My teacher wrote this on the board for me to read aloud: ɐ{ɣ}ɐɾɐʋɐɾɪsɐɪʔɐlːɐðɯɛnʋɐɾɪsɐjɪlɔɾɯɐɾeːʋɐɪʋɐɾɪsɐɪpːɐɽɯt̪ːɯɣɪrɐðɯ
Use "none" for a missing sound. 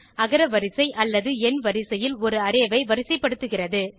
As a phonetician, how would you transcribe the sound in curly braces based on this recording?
ɣ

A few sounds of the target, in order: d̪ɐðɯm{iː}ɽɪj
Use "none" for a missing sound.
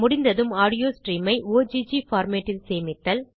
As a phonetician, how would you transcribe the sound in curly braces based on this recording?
aː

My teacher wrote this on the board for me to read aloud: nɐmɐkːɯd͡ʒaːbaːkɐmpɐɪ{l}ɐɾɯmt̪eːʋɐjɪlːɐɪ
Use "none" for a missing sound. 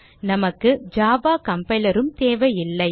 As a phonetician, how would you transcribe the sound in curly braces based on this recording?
l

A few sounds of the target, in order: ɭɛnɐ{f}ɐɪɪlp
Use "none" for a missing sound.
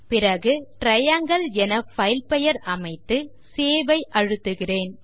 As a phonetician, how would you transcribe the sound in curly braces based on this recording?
f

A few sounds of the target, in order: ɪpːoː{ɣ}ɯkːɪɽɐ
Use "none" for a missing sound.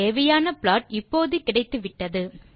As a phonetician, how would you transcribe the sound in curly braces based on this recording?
ð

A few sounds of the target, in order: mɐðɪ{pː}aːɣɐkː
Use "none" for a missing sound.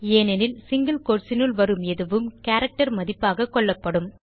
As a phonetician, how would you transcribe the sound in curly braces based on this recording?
pː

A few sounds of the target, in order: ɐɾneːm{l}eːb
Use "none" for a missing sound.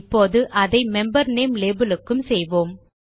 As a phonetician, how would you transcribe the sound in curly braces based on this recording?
l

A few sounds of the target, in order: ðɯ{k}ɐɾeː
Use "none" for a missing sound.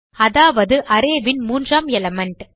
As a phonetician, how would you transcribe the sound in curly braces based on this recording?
ʔ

